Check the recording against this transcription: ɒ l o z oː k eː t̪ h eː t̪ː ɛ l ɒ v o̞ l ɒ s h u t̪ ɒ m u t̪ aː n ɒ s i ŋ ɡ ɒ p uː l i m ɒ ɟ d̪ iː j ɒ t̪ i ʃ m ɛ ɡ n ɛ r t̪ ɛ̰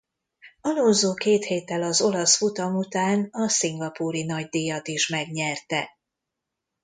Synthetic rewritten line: ɒ l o z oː k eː t̪ h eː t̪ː ɛ l ɒ z o̞ l ɒ s f u t̪ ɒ m u t̪ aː n ɒ s i ŋ ɡ ɒ p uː ɾ i n ɒ ɟ d̪ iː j ɒ t̪ i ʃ m ɛ ɡ ɲ ɛ r t̪ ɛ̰